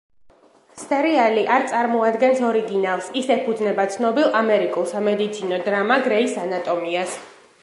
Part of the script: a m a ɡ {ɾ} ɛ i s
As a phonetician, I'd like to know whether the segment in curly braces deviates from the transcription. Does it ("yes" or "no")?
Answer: no